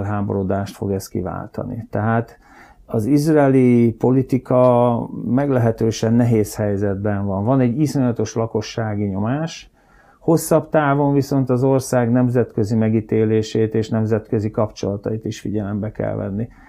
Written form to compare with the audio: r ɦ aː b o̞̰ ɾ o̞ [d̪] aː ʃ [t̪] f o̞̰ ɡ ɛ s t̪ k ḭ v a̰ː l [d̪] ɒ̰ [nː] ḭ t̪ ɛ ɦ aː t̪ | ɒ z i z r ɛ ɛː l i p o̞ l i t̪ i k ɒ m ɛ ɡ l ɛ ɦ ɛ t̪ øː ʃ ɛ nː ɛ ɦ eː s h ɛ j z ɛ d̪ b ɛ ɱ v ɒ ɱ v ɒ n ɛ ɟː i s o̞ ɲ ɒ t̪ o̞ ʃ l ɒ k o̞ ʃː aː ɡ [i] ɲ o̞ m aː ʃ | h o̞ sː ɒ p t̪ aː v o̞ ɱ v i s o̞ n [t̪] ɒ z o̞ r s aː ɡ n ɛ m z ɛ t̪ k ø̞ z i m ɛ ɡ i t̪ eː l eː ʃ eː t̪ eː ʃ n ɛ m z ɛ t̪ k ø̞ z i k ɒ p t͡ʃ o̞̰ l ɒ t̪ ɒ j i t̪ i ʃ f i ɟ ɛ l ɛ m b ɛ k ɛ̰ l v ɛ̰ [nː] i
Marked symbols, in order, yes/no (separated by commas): yes, yes, no, no, yes, yes, yes